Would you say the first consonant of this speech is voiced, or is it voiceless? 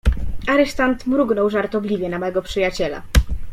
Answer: voiced